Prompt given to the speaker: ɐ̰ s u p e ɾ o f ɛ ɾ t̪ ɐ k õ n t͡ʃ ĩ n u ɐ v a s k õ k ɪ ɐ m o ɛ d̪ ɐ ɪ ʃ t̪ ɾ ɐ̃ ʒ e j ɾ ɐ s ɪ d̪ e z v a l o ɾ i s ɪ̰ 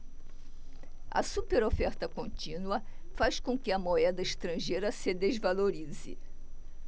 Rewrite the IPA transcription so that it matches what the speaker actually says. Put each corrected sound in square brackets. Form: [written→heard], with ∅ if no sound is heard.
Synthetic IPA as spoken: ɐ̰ s u p e ɾ o f ɛ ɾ t̪ ɐ k õ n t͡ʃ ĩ n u ɐ [v→f] a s k õ k ɪ ɐ m o ɛ d̪ ɐ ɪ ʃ t̪ ɾ ɐ̃ ʒ e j ɾ ɐ s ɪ d̪ e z v a l o ɾ i [s→z] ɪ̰

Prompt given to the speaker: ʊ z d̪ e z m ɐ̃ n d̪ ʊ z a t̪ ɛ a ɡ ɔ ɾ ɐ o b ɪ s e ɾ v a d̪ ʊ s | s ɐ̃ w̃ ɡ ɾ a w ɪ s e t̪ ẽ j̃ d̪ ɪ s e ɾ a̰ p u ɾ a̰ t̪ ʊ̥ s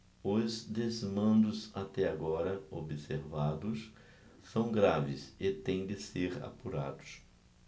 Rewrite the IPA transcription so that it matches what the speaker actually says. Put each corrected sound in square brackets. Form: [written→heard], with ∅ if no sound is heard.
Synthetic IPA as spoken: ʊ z d̪ e z m ɐ̃ n d̪ ʊ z a t̪ ɛ a ɡ ɔ ɾ ɐ o b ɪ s e ɾ v a d̪ ʊ s | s ɐ̃ w̃ ɡ ɾ a [w→v] ɪ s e t̪ ẽ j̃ d̪ ɪ s e ɾ a̰ p u ɾ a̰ [t̪→d̪] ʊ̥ s

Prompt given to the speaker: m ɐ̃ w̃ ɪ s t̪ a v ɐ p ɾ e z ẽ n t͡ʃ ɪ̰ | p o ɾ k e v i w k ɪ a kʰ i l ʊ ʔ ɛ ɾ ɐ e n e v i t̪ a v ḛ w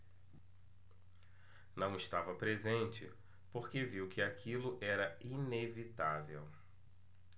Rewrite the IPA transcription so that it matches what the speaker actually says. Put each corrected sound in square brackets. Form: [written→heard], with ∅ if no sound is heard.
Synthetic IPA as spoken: [m→n] ɐ̃ w̃ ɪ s t̪ a v ɐ p ɾ e z ẽ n t͡ʃ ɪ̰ | p o ɾ k e v i w k ɪ a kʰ i l ʊ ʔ ɛ ɾ ɐ [e→i] n e v i t̪ a v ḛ w

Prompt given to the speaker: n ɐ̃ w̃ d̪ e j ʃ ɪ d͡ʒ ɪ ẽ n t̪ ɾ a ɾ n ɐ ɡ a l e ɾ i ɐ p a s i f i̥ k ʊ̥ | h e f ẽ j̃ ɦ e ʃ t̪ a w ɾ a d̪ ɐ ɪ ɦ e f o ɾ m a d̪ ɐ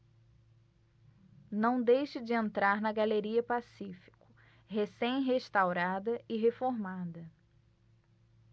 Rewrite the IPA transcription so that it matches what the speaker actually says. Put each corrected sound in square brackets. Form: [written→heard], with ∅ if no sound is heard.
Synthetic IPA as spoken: n ɐ̃ w̃ d̪ e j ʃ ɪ d͡ʒ ɪ ẽ n t̪ ɾ a ɾ n ɐ ɡ a l e ɾ i ɐ p a s i f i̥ k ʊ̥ | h e [f→s] ẽ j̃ ɦ e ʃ t̪ a w ɾ a d̪ ɐ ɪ ɦ e f o ɾ m a d̪ ɐ

